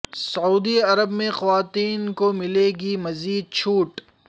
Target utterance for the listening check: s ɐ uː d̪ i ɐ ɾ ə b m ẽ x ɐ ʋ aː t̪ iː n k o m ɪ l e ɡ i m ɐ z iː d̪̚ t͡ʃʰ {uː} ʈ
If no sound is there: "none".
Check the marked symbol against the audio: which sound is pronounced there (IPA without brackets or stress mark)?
uː